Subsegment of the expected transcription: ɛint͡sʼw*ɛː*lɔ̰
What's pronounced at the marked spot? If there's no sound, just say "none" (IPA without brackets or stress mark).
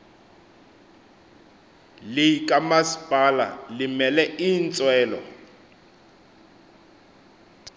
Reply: ɛː